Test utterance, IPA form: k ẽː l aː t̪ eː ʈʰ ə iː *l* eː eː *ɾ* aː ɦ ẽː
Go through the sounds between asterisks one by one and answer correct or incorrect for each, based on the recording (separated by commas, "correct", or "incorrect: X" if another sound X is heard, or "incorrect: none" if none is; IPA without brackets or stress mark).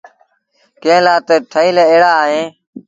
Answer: correct, incorrect: ɽ